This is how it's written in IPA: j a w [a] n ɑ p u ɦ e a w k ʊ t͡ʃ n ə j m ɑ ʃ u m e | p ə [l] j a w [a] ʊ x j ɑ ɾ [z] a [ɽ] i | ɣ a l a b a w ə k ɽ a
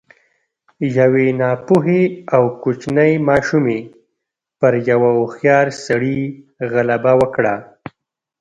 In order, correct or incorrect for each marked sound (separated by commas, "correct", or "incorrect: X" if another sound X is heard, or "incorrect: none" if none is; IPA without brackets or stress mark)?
incorrect: e, incorrect: ɾ, correct, incorrect: s, correct